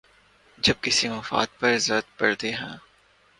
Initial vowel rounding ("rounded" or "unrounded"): unrounded